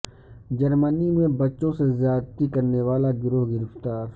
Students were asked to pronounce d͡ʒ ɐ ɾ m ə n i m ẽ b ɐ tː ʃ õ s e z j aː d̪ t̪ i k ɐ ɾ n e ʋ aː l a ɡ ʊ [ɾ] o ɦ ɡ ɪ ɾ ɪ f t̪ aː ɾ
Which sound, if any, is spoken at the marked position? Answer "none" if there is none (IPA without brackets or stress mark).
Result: ɾ